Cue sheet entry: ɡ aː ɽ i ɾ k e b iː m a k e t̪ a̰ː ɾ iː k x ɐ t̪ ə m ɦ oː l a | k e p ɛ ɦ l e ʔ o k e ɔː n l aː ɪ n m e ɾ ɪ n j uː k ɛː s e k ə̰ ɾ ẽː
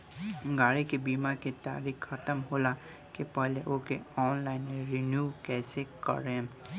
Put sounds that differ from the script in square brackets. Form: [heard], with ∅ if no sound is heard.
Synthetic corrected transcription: ɡ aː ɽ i [∅] k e b iː m a k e t̪ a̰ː ɾ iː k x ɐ t̪ ə m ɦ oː l a | k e p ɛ ɦ l e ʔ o k e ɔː n l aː ɪ n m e ɾ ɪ n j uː k ɛː s e k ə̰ ɾ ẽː